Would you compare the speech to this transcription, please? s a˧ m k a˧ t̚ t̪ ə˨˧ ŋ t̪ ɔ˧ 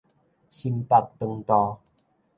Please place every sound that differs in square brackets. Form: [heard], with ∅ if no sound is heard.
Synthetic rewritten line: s [i˧] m [p] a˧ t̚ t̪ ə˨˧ ŋ t̪ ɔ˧